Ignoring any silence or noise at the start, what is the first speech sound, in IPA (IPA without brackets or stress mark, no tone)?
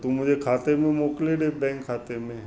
t̪